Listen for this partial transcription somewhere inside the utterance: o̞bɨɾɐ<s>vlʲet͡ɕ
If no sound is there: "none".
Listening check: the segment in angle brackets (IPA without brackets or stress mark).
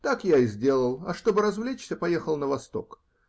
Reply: z